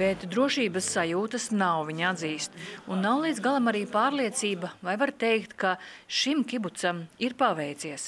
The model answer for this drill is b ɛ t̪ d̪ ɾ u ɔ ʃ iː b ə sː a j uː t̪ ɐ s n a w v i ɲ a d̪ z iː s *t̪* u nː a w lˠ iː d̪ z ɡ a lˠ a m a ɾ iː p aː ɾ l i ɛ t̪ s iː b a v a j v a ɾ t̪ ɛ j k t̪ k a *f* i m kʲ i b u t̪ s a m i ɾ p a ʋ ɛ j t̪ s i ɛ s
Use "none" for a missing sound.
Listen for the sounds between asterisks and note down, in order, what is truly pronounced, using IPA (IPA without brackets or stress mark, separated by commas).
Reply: t̪, ʃ